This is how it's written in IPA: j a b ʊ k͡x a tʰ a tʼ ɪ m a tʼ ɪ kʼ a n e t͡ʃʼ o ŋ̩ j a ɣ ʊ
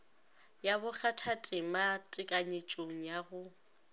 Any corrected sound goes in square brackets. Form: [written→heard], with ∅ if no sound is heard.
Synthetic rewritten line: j a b ʊ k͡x a tʰ a tʼ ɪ m a tʼ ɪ kʼ a [n→ɲ] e t͡ʃʼ o ŋ̩ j a ɣ ʊ